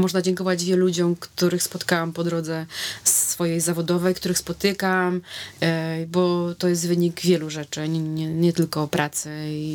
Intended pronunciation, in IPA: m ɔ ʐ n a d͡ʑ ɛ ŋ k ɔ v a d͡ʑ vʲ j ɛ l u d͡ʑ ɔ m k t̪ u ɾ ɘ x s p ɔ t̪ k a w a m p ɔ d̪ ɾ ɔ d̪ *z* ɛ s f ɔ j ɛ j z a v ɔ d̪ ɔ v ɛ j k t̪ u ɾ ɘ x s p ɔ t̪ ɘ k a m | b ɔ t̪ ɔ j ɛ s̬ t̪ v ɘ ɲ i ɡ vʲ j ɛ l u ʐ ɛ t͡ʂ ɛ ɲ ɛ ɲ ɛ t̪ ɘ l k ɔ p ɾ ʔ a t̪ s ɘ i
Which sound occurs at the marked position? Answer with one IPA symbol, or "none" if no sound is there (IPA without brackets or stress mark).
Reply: z